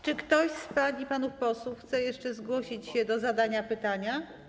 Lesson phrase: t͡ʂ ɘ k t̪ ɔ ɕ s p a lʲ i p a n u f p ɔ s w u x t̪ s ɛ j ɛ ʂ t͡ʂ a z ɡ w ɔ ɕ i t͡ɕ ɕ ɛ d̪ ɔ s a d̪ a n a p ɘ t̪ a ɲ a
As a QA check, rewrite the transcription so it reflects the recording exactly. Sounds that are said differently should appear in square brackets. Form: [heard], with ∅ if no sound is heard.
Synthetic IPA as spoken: t͡ʂ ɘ k t̪ ɔ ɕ s p a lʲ i p a n u f p ɔ s w u x t̪ s ɛ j ɛ ʂ t͡ʂ [ɛ] z ɡ w ɔ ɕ i t͡ɕ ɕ ɛ d̪ ɔ [z] a d̪ a [ɲ] a p ɘ t̪ a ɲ a